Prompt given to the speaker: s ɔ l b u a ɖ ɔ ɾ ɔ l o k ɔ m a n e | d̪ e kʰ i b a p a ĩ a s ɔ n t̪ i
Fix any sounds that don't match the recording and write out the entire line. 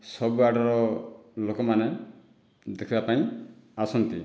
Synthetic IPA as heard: s ɔ b u a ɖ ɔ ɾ ɔ l o k ɔ m a n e | d̪ e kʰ i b a p a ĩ a s ɔ n t̪ i